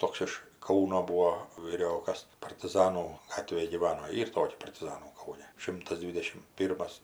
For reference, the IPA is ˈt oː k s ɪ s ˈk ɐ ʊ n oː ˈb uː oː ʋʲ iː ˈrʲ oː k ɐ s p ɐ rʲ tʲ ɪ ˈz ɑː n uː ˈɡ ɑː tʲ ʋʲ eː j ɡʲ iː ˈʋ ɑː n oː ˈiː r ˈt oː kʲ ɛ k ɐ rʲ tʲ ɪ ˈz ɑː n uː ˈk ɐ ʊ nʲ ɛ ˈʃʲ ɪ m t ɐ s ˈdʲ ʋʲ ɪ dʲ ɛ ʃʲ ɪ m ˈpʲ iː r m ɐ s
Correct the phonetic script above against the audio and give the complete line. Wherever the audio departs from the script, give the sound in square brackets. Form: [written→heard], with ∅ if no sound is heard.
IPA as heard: ˈt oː k s ɪ [s→ʃ] ˈk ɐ ʊ n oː ˈb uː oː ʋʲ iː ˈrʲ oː k ɐ s p ɐ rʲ tʲ ɪ ˈz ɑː n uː ˈɡ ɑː tʲ ʋʲ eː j ɡʲ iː ˈʋ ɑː n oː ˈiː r ˈt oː kʲ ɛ [k→p] ɐ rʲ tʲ ɪ ˈz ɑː n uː ˈk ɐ ʊ nʲ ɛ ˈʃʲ ɪ m t ɐ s ˈdʲ ʋʲ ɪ dʲ ɛ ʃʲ ɪ m ˈpʲ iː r m ɐ s

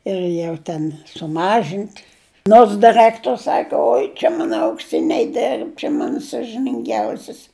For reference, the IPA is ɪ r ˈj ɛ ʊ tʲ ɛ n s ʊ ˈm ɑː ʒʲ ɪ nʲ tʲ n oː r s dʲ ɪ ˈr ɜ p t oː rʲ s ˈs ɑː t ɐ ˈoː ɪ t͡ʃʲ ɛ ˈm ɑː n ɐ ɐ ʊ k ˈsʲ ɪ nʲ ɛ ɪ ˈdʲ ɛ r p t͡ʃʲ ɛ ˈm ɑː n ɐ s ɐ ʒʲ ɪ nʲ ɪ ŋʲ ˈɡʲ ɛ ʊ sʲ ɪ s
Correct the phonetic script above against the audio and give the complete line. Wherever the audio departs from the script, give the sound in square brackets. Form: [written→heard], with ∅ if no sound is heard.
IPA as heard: ɪ r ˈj ɛ ʊ tʲ ɛ n s ʊ ˈm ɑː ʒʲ ɪ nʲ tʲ n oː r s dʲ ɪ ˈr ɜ [p→k] t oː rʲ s ˈs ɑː [t→k] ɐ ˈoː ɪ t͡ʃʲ ɛ ˈm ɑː n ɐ ɐ ʊ k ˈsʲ ɪ nʲ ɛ ɪ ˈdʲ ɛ r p t͡ʃʲ ɛ ˈm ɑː n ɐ s ɐ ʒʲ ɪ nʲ ɪ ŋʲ ˈɡʲ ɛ ʊ sʲ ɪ s

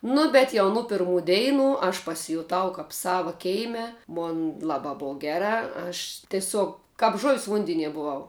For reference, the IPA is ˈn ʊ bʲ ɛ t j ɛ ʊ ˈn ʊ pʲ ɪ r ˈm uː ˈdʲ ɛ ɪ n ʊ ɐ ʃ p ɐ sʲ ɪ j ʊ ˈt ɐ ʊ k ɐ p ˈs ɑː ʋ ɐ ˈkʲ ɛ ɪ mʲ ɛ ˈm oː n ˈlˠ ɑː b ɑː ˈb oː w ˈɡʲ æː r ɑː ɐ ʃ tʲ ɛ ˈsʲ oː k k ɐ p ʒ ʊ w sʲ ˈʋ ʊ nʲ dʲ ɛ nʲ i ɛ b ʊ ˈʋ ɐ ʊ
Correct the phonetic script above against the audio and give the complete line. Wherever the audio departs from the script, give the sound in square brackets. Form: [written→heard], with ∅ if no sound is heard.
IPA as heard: ˈn ʊ bʲ ɛ t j ɛ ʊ ˈn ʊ pʲ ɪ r ˈm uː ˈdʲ ɛ ɪ n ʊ ɐ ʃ p ɐ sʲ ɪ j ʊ ˈt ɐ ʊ k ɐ p ˈs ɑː ʋ ɐ ˈkʲ ɛ ɪ mʲ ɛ ˈm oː n ˈlˠ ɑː b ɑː ˈb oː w ˈɡʲ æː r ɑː ɐ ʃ tʲ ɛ ˈsʲ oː k k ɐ p ʒ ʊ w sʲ ˈʋ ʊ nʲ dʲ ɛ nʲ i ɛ b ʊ ˈʋ ɐ ʊ

